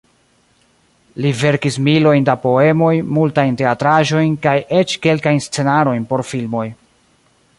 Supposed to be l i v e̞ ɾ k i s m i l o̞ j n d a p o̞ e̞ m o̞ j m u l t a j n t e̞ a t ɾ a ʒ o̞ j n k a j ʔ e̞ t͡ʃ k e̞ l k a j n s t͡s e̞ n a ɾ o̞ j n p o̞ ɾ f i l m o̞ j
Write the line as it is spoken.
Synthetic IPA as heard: l i v e̞ ɾ k i s m i l o̞ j n d a p o̞ e̞ m o̞ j m u l t a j n t e̞ a t ɾ a ʒ o̞ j n k a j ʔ e̞ t͡ʃ k e̞ l k a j n s t͡s e̞ n a ɾ o̞ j n p o̞ ɾ f i l m o̞ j